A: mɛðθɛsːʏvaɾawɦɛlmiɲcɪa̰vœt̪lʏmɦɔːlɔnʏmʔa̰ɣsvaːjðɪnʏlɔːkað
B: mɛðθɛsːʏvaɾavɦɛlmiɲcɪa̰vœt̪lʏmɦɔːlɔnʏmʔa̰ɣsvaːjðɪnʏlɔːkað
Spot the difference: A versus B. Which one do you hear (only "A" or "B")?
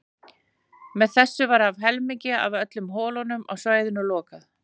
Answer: B